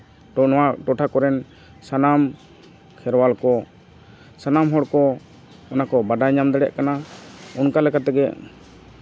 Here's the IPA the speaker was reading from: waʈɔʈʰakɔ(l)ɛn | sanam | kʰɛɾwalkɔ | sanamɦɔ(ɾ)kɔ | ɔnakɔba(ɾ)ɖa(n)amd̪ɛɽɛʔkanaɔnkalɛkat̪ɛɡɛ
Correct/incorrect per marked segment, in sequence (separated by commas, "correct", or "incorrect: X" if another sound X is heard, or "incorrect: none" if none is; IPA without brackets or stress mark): incorrect: ɾ, incorrect: ɽ, incorrect: none, incorrect: ɲ